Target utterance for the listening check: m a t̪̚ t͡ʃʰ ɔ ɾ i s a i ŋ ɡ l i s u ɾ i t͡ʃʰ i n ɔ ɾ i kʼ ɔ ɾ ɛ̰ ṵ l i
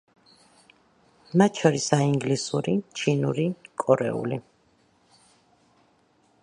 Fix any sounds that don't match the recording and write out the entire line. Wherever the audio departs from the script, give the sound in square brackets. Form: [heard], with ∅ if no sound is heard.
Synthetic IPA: m a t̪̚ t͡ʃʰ ɔ ɾ i s a i ŋ ɡ l i s u ɾ i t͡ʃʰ i n [u] ɾ i kʼ ɔ ɾ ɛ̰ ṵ l i